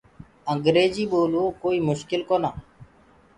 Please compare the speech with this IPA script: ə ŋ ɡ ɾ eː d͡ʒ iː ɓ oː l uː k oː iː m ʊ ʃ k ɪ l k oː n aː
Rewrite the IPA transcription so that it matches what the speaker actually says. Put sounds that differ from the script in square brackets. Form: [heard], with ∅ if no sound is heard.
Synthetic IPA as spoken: ə ŋ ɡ ɾ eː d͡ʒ iː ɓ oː l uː k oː iː m ʊ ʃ k ɪ l k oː n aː